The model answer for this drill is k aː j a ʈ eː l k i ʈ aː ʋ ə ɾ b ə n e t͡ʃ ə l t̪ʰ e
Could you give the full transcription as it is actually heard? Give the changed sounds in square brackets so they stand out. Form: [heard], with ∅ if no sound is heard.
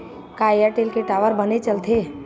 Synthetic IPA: k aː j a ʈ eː l k [e] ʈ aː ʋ ə ɾ b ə n e t͡ʃ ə l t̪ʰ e